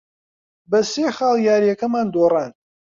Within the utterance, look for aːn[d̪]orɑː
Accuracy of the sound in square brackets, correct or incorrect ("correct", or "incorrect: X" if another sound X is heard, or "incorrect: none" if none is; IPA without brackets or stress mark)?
correct